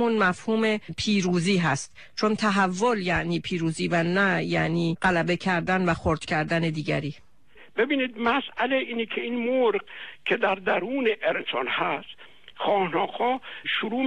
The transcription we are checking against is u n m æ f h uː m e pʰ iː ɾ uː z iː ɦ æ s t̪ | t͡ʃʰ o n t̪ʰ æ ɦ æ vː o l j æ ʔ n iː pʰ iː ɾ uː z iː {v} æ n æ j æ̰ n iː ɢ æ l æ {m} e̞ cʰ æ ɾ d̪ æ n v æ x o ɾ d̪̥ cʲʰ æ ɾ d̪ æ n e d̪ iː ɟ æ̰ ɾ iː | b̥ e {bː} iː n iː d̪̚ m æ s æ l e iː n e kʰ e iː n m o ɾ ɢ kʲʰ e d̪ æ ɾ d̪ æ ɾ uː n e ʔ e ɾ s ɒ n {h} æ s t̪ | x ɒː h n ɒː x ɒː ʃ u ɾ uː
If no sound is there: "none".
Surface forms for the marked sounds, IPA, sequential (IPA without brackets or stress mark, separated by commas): v, b, b, h